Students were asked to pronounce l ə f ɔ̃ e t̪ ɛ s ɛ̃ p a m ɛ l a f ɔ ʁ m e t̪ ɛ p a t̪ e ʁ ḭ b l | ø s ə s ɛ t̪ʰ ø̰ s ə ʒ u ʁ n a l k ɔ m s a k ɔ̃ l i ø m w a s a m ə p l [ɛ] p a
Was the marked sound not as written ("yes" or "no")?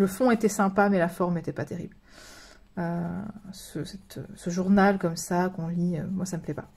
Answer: no